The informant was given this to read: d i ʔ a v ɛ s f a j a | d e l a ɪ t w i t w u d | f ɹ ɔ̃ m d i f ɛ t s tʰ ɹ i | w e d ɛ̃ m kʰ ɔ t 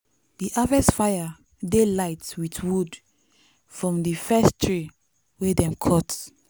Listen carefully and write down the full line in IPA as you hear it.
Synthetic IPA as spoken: d i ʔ a v ɛ s f a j a | d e l a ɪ t w i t w u d | f ɹ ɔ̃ m d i f ɛ s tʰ ɹ i | w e d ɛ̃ m kʰ ɔ t

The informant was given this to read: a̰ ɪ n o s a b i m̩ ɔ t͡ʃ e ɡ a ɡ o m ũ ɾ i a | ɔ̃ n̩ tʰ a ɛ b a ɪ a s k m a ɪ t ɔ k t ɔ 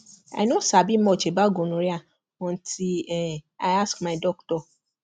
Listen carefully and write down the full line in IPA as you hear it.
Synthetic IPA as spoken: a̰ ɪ n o s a b i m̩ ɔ t͡ʃ e b a ɡ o n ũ ɾ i a | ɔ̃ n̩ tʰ i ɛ a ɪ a s k m a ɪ d ɔ k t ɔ

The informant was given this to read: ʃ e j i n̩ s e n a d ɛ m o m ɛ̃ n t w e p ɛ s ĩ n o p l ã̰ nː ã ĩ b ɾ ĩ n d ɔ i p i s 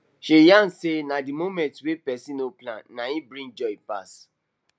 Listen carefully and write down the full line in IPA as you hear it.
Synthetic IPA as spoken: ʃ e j a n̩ s e n a d i m o m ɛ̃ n t w e p ɛ s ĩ n o p l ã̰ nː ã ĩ b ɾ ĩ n d͡ʒ ɔ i p a s

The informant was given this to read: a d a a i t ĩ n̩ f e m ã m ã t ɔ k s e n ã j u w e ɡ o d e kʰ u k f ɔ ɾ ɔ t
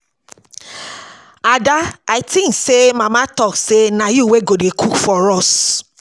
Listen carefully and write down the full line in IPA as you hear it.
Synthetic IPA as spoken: a d a a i t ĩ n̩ s e m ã m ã t ɔ k s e n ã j u w e ɡ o d e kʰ u k f ɔ ɾ ɔ s

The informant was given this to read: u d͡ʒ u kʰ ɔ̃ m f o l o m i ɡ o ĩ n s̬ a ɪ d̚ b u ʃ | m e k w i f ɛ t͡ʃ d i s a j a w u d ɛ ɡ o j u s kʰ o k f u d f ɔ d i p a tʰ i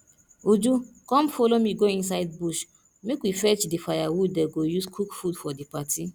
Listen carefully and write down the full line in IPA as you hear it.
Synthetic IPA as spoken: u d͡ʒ u k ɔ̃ m f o l o m i ɡ o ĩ n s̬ a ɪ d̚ b u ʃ | m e k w i f ɛ t͡ʃ d i f a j a w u d ɛ ɡ o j u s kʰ u k f u d f ɔ d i p a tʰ i

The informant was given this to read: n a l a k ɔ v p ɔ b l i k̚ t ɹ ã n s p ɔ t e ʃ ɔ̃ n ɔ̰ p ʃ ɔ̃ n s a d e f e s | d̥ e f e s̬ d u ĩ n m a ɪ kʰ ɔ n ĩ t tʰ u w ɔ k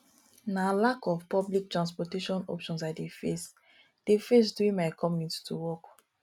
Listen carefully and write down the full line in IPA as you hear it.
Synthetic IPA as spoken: n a l a k ɔ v p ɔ b l i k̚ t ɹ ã n s p ɔ t e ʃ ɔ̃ n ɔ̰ p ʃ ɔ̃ n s a d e f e s | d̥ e f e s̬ d u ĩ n m a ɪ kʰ ɔ m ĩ t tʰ u w ɔ k

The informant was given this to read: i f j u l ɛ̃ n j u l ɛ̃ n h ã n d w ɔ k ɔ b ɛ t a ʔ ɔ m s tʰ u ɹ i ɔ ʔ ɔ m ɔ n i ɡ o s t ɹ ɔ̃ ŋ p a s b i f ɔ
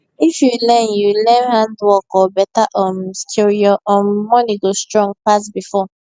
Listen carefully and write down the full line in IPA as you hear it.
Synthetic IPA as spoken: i f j u l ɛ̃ n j u l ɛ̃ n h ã n d w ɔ k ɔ b ɛ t a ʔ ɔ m s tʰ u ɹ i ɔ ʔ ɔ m ɔ n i ɡ o s t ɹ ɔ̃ ŋ p a s b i f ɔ

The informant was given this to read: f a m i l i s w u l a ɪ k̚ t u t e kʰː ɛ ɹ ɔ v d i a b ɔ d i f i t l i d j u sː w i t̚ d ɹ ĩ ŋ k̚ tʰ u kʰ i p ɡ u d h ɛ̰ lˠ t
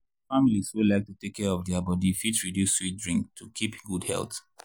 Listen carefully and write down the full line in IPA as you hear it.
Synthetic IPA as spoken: f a m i l i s w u l a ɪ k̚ t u t e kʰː ɛ ɹ ɔ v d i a b ɔ d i f i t ɹ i d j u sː w i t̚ d ɹ ĩ ŋ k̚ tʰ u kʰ i p ɡ u d h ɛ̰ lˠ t

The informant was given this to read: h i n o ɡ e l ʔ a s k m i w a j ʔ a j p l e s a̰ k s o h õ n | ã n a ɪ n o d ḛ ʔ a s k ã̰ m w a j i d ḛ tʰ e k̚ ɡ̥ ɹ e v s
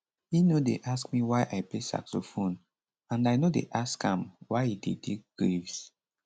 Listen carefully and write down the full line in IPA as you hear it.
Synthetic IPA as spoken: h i n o d e ʔ a s k m i w a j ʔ a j p l e s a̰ k s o f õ n | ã n a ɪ n o d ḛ ʔ a s k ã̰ m w a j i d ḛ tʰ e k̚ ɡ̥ ɹ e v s

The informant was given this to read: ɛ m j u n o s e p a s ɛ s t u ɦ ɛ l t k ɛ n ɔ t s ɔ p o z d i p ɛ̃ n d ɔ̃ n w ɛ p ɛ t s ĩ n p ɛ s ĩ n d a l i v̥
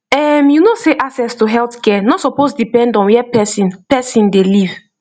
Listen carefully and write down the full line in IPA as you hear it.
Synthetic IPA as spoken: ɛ m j u n o s e ʔ a s ɛ s t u ɦ ɛ l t k ɛ n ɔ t s ɔ p o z d i p ɛ̃ n d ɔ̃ n w ɛ p ɛ s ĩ n p ɛ s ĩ n d e l i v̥

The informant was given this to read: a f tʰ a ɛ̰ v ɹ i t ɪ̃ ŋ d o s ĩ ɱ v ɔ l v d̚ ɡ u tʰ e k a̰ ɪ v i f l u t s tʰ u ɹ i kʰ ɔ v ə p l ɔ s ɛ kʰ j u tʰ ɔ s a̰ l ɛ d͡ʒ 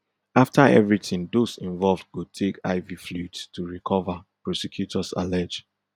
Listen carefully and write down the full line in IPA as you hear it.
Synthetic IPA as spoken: a f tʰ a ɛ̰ v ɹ i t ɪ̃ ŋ d o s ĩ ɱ v ɔ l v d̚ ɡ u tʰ e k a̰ ɪ v i f l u t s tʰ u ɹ i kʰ ɔ v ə p ɹ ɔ s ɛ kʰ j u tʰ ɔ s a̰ l ɛ d͡ʒ

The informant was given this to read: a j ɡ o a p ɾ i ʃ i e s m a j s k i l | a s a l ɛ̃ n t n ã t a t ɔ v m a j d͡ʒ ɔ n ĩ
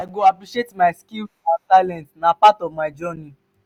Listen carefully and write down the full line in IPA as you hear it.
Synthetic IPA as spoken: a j ɡ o a p ɾ i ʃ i e t m a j s k i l | a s a l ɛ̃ n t n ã p a t ɔ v m a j d͡ʒ ɔ n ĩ

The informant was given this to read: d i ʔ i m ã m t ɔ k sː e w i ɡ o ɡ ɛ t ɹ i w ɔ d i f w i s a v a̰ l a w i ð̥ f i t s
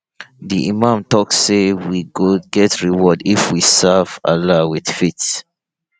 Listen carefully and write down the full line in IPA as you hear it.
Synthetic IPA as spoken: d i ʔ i m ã m t ɔ k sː e w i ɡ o ɡ ɛ t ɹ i w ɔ d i f w i s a v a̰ l a w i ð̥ f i t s

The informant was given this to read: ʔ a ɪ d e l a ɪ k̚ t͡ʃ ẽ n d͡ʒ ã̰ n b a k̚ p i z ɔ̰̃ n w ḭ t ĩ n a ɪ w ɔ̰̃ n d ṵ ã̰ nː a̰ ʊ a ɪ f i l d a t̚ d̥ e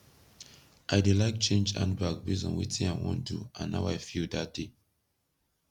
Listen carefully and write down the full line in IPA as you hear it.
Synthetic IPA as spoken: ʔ a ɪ d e l a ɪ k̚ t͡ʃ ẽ n d͡ʒ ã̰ n b a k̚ b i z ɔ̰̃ n w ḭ t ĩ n a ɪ w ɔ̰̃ n d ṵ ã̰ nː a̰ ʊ a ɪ f i l d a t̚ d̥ e

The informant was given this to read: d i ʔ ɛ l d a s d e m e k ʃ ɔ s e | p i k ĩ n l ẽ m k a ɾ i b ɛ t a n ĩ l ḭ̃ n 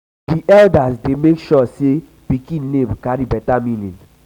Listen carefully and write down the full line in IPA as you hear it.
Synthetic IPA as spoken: d i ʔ ɛ l d a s d e m e k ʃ ɔ s e | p i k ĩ n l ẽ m k a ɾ i b ɛ t a m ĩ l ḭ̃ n

